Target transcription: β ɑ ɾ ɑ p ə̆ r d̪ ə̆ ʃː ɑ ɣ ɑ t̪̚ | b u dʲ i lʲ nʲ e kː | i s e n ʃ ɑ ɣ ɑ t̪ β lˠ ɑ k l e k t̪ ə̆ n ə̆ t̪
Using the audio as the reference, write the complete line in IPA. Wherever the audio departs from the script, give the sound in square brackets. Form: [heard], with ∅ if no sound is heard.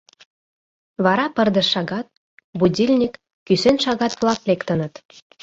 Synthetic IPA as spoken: β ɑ ɾ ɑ p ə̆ r d̪ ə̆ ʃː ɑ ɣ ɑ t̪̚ | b u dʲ i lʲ nʲ [i] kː | [y] s e n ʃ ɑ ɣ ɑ t̪ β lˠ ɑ k l e k t̪ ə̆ n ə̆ t̪